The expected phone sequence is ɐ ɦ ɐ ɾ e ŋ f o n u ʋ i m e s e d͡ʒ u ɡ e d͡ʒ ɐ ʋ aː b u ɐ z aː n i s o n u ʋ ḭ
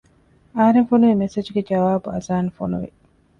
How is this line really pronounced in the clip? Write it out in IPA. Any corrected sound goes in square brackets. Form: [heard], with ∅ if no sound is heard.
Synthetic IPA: ɐ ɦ ɐ ɾ e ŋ f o n u ʋ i m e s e d͡ʒ u ɡ e d͡ʒ ɐ ʋ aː b u ɐ z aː n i [f] o n u ʋ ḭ